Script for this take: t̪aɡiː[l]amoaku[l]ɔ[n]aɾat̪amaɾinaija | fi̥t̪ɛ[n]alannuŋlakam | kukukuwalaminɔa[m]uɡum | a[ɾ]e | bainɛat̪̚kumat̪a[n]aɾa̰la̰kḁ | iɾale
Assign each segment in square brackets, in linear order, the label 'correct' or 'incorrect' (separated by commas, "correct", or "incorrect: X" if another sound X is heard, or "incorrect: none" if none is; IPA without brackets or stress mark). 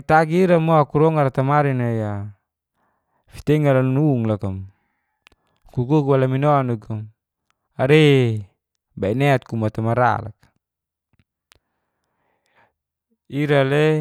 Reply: incorrect: ɾ, incorrect: ɾ, incorrect: ŋ, incorrect: ŋ, incorrect: n, correct, incorrect: m